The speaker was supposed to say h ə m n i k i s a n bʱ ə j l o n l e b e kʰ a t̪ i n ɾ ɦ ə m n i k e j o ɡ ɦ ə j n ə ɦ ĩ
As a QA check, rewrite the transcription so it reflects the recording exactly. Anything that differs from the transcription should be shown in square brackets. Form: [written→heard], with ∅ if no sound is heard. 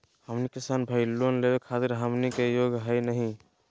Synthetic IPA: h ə m n i k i s a n bʱ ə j l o n l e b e kʰ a t̪ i [n→∅] ɾ ɦ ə m n i k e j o ɡ ɦ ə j n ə ɦ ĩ